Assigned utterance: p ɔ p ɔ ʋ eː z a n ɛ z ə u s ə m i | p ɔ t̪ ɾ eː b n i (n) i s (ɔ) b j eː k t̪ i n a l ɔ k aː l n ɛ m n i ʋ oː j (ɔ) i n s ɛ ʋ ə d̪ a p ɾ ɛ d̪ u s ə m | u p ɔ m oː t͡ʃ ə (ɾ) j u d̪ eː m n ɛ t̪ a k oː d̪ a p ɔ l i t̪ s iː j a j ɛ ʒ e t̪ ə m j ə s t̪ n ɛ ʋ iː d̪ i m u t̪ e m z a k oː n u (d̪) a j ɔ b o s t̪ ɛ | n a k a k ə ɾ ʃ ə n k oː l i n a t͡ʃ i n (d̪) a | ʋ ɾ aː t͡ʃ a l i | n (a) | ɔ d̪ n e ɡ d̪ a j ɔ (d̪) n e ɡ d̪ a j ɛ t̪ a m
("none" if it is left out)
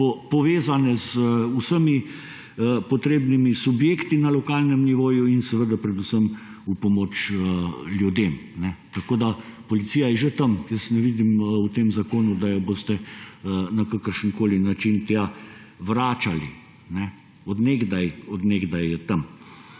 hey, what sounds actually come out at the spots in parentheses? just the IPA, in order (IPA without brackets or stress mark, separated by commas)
m, u, u, l, d̪, t̪, ɛ, d̪